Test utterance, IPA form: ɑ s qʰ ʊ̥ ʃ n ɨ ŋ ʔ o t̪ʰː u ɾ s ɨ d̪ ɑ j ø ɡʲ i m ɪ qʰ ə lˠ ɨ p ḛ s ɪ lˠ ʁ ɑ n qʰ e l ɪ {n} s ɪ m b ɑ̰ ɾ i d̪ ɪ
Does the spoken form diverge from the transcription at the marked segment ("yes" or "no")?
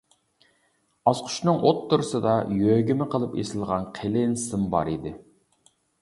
no